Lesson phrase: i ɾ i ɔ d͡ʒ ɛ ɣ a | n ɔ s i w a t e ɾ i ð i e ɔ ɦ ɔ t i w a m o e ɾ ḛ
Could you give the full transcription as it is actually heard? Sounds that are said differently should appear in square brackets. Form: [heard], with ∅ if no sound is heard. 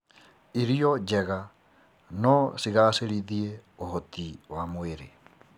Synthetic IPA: i ɾ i ɔ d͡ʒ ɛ ɣ a | n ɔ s i [ɣ] a [s] e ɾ i ð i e [o] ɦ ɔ t i w a m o e ɾ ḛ